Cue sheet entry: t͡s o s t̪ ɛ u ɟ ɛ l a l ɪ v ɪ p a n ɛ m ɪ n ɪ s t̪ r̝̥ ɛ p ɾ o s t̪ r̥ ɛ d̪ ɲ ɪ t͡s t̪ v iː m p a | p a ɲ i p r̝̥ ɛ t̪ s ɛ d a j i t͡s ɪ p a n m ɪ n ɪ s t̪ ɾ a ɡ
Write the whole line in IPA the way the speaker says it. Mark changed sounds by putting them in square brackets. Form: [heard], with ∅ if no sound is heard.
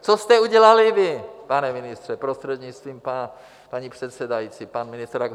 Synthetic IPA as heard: t͡s o s t̪ ɛ u ɟ ɛ l a l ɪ v ɪ p a n ɛ m ɪ n ɪ s t̪ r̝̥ ɛ p ɾ o s t̪ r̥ ɛ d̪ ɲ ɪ t͡s t̪ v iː m p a | p a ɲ i p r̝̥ ɛ t̪ s ɛ d a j i t͡s [i] p a n m ɪ n ɪ s t̪ ɾ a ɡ